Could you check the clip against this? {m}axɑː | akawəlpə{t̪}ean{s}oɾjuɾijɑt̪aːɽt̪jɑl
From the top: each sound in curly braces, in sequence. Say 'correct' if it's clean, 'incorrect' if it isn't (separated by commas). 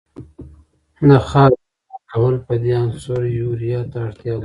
incorrect, incorrect, correct